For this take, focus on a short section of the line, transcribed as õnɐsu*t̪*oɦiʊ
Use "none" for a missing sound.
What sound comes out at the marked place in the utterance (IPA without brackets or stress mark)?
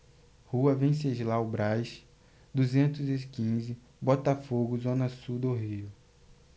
d̪